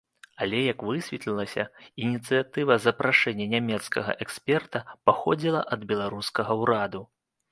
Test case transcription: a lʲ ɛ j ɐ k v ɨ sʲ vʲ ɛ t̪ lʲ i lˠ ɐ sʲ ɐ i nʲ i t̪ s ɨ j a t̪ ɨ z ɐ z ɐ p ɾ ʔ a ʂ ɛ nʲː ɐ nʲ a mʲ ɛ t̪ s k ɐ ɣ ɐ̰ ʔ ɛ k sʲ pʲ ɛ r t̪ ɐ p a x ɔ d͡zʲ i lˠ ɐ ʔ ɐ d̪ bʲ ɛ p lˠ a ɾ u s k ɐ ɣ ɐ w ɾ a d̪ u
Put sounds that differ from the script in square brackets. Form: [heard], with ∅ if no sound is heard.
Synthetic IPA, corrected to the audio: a lʲ ɛ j ɐ k v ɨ sʲ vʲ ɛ t̪ lʲ i lˠ ɐ sʲ ɐ i nʲ i t̪ s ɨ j a t̪ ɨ [v] ɐ z ɐ p ɾ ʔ a ʂ ɛ nʲː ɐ nʲ a mʲ ɛ t̪ s k ɐ ɣ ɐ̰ ʔ ɛ k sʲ pʲ ɛ r t̪ ɐ p a x ɔ d͡zʲ i lˠ ɐ ʔ ɐ d̪ bʲ ɛ [∅] lˠ a ɾ u s k ɐ ɣ ɐ w ɾ a d̪ u